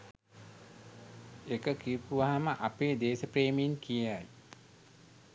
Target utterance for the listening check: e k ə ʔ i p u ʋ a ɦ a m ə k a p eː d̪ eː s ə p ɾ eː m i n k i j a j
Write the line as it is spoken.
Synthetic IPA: e k ə k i p u ʋ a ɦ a m ə ʔ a p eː d̪ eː s ə p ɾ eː m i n k i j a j